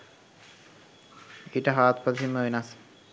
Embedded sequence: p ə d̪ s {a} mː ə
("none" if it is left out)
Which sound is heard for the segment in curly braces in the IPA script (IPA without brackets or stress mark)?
i